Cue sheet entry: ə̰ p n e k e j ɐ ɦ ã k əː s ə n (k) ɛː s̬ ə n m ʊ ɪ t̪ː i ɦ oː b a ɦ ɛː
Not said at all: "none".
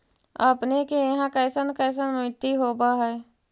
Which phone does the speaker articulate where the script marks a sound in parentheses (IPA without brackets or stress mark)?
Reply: k